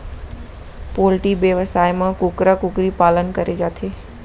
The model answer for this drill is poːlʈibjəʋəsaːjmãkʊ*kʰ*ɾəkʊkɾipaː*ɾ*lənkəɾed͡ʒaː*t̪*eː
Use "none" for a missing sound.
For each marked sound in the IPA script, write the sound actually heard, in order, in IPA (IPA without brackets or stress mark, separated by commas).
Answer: k, none, t̪ʰ